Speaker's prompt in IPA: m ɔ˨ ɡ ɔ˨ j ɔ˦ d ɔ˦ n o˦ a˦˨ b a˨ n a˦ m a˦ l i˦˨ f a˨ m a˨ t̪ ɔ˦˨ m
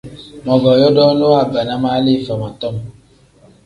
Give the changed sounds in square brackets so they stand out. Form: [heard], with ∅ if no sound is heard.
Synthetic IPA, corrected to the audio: m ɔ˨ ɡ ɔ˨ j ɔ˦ d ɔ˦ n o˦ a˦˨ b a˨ n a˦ m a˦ l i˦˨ f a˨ m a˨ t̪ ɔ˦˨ m